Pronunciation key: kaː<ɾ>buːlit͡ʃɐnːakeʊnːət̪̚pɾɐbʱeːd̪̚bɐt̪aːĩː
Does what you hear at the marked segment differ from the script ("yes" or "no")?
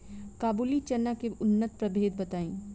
yes